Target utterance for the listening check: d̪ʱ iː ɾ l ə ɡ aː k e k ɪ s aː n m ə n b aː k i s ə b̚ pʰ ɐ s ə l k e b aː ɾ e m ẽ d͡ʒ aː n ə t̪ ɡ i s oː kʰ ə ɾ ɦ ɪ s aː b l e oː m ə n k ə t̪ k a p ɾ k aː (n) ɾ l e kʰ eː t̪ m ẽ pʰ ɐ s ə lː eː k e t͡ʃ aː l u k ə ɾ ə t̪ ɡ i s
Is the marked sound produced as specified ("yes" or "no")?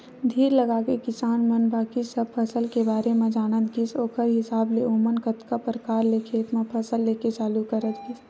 no